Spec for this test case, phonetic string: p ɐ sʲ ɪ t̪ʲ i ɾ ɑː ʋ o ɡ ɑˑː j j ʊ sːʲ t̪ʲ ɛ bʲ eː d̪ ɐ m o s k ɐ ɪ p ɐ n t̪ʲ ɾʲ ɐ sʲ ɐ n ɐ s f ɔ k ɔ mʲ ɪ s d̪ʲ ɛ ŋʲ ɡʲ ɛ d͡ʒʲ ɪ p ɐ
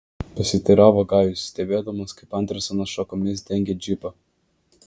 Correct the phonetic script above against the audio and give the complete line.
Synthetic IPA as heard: p ɐ sʲ ɪ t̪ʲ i ɾ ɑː ʋ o ɡ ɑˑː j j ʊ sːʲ t̪ʲ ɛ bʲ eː d̪ ɐ m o s k ɐ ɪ p ɐ n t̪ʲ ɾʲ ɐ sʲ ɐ n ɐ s ʃ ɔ k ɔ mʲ ɪ s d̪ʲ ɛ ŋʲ ɡʲ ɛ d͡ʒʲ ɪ p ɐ